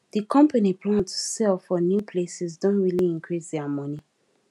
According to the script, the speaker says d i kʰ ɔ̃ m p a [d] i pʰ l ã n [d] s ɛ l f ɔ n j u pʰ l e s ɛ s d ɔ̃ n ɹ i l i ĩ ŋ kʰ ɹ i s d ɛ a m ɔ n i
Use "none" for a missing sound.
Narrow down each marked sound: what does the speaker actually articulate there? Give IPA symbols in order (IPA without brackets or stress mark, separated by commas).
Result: n, t